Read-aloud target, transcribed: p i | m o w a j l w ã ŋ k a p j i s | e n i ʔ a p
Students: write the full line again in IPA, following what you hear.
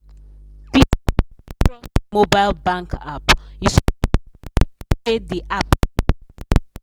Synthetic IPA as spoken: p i | m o b a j l b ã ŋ k a p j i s | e d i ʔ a p

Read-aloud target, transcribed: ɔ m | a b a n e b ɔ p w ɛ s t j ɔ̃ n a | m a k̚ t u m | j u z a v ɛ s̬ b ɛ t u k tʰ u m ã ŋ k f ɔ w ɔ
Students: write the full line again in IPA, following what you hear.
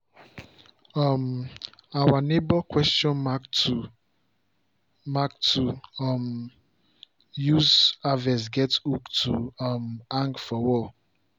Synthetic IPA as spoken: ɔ m | a w a n e b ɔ k w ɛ s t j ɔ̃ n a | m a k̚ t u m | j u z a v ɛ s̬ ɡ ɛ t u k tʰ u m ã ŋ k f ɔ w ɔ

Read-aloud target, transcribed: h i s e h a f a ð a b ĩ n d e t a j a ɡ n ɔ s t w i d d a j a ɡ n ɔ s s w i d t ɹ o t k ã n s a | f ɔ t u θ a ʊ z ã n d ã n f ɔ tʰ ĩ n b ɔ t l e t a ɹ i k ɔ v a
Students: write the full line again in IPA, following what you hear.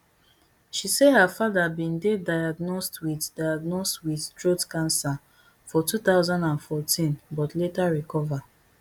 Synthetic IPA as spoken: ʃ i s e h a f a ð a b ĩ n d e d a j a ɡ n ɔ s t w i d d a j a ɡ n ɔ s t w i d t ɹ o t k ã n s a | f ɔ t u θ a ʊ z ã n d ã n f ɔ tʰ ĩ n b ɔ t l e t a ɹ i k ɔ v a

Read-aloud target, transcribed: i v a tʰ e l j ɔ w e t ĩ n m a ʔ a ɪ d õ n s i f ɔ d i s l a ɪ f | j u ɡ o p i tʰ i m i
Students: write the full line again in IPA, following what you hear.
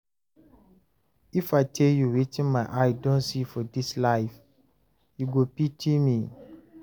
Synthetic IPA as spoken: i f a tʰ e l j u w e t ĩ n m a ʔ a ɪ d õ n s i f ɔ d i s l a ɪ f | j u ɡ o p i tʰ i m i

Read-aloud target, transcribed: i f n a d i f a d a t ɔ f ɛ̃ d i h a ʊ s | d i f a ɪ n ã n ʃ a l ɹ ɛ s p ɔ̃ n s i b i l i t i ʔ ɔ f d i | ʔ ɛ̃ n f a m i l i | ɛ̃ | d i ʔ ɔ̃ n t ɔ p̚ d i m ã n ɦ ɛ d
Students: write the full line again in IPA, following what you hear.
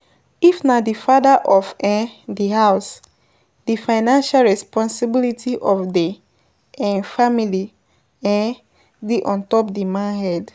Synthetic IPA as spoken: i f n a d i f a d a ʔ ɔ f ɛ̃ d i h a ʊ s | d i f a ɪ n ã n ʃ a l ɹ ɛ s p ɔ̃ n s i b i l i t i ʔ ɔ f d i | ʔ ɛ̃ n f a m i l i | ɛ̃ | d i ʔ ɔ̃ n t ɔ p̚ d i m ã n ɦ ɛ d

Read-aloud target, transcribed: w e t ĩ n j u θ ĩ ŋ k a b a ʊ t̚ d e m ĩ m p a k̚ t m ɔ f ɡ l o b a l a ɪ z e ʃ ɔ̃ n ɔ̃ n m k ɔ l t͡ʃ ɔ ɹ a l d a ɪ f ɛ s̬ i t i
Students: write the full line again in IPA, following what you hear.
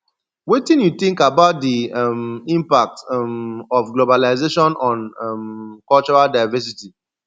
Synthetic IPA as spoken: w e t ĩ n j u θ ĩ ŋ k a b a ʊ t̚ d i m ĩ m p a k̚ t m ɔ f ɡ l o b a l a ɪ z e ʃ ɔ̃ n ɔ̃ n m k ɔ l t͡ʃ ɔ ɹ a l d a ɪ v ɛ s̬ i t i

